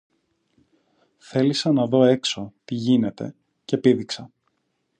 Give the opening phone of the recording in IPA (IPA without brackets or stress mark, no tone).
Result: θ